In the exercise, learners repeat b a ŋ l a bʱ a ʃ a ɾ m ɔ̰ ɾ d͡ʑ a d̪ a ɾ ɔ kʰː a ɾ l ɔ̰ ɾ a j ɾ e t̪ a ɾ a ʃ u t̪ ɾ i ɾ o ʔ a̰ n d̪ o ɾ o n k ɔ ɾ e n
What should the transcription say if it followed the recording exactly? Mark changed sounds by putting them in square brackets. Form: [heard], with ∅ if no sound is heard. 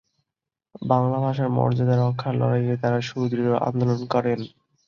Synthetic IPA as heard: b a ŋ l a bʱ a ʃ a ɾ m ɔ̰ ɾ d͡ʑ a d̪ a ɾ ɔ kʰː a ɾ l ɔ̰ ɾ a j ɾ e t̪ a ɾ a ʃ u [d̪] ɾ i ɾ o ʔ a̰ n d̪ o [l] o n k ɔ ɾ e n